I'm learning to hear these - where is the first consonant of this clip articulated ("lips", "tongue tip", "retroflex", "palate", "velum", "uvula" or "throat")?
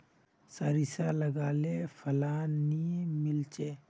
tongue tip